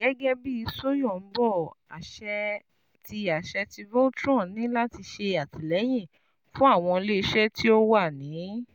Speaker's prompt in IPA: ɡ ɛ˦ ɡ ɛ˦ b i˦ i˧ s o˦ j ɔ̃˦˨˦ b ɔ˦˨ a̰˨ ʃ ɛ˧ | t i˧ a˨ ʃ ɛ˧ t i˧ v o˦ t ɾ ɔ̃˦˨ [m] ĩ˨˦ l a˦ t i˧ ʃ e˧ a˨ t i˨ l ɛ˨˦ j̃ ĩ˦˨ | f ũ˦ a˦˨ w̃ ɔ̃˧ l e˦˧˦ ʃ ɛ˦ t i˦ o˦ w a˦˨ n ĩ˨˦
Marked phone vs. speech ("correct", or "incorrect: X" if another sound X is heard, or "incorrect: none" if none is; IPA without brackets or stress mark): incorrect: n